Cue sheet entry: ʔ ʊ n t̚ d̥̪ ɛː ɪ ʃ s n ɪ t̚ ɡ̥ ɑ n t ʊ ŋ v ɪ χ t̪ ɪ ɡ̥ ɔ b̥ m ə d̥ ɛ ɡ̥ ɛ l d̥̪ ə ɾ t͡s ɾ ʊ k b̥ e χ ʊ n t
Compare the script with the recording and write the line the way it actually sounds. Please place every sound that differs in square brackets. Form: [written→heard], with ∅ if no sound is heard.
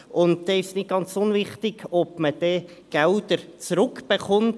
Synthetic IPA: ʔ ʊ n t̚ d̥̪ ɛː ɪ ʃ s n ɪ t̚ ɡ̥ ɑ n [t→t͡s] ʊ [ŋ→n] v ɪ χ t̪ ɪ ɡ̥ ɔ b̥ m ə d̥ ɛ ɡ̥ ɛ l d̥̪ ə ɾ t͡s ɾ ʊ k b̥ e χ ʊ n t